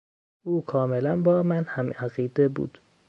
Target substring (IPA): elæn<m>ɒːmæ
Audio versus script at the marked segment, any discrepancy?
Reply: yes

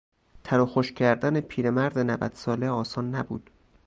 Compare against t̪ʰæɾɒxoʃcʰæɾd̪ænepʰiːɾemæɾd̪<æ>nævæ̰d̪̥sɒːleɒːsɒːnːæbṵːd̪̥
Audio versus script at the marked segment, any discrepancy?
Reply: yes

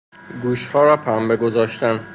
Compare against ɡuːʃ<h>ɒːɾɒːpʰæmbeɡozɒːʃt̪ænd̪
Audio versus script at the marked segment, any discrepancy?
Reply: no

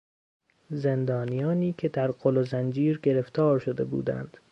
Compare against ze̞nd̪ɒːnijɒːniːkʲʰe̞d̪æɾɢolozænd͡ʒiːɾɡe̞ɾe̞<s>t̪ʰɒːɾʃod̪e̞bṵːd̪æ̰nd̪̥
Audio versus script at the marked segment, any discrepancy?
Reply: yes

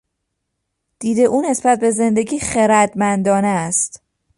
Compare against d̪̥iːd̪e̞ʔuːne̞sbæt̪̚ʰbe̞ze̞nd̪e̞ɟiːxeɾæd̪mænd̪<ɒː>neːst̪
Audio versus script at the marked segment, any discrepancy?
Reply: no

